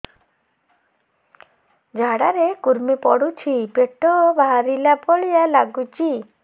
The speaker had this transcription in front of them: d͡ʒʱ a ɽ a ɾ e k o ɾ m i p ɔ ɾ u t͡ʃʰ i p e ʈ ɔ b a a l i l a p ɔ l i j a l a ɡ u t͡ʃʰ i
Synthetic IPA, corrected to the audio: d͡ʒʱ a ɽ a ɾ e k u ɾ m i p ɔ ɽ u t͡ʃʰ i p e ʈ ɔ b a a ɾ i l a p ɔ ɭ i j a l a ɡ u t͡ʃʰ i